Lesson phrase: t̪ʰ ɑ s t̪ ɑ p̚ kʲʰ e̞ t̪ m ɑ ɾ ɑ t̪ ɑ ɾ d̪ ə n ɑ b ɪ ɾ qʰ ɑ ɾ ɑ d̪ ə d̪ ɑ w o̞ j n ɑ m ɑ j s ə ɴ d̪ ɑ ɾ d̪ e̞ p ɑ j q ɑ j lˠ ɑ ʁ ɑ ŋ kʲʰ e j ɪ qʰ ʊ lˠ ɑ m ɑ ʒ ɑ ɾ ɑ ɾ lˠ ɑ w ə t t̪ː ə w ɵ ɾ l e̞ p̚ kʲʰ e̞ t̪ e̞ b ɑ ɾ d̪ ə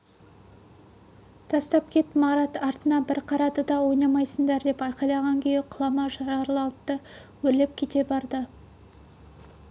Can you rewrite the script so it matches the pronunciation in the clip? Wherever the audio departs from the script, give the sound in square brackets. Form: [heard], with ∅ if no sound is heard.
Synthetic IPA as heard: t̪ʰ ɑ s t̪ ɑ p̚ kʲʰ e̞ t̪ m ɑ ɾ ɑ t̪ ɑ ɾ [t̪] ə n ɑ b ɪ ɾ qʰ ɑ ɾ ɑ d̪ ə d̪ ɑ w o̞ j n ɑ m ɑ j s ə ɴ d̪ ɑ ɾ d̪ e̞ p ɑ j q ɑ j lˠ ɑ ʁ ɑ ŋ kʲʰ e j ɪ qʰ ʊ lˠ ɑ m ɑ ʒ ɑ ɾ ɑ ɾ lˠ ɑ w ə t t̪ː ə w ɵ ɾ l e̞ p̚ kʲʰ e̞ t̪ e̞ b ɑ ɾ d̪ ə

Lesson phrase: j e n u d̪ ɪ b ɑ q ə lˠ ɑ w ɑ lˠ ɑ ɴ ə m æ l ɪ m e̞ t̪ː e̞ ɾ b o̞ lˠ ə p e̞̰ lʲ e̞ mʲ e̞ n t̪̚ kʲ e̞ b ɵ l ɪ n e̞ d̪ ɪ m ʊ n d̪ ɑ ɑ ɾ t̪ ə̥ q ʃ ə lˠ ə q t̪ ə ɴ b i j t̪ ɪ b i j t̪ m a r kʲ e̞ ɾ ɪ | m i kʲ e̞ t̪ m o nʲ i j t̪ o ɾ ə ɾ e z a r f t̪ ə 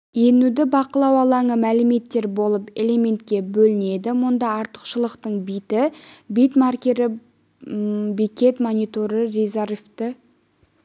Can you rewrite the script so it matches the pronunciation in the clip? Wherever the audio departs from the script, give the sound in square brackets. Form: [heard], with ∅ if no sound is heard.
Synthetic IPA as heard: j e n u d̪ ɪ b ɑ q ə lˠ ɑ w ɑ lˠ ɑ ɴ ə m æ l ɪ m e̞ t̪ː e̞ ɾ b o̞ lˠ ə p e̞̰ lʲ e̞ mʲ e̞ n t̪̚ kʲ e̞ b ɵ l ɪ n e̞ d̪ ɪ m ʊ n d̪ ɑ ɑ ɾ t̪ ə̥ q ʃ ə lˠ ə q t̪ ə ɴ b i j t̪ ɪ b i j t̪ m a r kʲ e̞ ɾ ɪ | [b] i kʲ e̞ t̪ m o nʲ i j t̪ o ɾ ə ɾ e z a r f t̪ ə

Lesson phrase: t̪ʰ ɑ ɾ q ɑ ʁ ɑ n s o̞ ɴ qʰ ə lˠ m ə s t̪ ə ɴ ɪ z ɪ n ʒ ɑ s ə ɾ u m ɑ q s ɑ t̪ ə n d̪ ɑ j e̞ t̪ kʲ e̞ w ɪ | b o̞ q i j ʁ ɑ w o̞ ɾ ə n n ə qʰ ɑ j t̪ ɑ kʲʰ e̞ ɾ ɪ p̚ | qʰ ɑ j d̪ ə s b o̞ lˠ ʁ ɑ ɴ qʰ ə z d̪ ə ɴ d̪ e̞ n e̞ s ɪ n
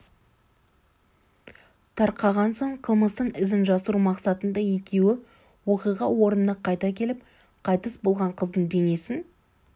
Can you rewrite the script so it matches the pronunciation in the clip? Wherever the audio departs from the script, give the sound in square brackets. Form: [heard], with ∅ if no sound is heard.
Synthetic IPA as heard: t̪ʰ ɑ ɾ q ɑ ʁ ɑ n s o̞ ɴ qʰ ə lˠ m ə s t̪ ə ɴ ɪ z ɪ n ʒ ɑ s ə ɾ u m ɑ q s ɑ t̪ ə n d̪ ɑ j e̞ [∅] kʲ e̞ w ɪ | [w] o̞ q i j ʁ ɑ w o̞ ɾ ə n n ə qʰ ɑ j t̪ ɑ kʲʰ e̞ [l] ɪ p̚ | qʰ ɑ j [t̪] ə s b o̞ lˠ ʁ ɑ ɴ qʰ ə z d̪ ə ɴ d̪ e̞ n e̞ s ɪ n

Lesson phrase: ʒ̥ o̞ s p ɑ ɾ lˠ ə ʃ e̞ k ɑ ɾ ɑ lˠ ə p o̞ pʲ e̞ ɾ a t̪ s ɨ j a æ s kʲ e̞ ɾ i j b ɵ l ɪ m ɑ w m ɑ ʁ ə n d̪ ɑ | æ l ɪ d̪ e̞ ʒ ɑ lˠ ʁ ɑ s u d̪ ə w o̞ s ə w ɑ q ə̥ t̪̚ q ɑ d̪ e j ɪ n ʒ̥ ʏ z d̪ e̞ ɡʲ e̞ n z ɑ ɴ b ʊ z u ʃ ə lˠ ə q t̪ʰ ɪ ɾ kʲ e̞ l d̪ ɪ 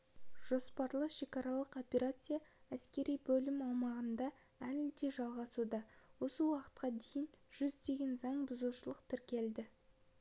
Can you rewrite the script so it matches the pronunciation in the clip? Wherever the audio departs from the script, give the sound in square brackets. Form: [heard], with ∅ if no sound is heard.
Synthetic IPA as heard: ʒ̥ o̞ s p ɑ ɾ lˠ ə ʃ e̞ k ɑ ɾ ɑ lˠ ə [q] o̞ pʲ e̞ ɾ a t̪ s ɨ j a æ s kʲ e̞ ɾ i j b ɵ l ɪ m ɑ w m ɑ ʁ ə n d̪ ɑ | æ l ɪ d̪ e̞ ʒ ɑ lˠ ʁ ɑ s u d̪ [ɑ] w o̞ s ə w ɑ q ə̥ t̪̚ q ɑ d̪ e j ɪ n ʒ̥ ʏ z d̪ e̞ ɡʲ e̞ n z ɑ ɴ b ʊ z u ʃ ə lˠ ə q t̪ʰ ɪ ɾ kʲ e̞ l d̪ ɪ

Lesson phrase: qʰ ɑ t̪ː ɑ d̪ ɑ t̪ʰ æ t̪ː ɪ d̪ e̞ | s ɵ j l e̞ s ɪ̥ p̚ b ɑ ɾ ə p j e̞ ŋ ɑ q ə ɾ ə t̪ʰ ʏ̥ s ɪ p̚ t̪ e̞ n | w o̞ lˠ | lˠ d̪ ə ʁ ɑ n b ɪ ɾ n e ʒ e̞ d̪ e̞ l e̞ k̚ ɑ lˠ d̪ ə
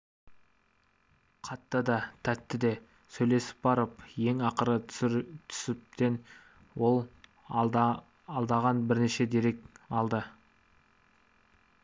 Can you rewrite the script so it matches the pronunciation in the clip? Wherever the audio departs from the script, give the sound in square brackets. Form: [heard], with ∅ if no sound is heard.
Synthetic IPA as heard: qʰ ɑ t̪ː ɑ d̪ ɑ t̪ʰ æ t̪ː ɪ d̪ e̞ | s ɵ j l e̞ s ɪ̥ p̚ b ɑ ɾ ə p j e̞ ŋ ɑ q ə ɾ ə t̪ʰ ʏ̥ s ɪ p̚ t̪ e̞ n | w o̞ lˠ | lˠ d̪ [ɑ] ʁ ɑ n b ɪ ɾ n e [ʃ] e̞ d̪ e̞ [ɾ] e̞ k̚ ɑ lˠ d̪ ə

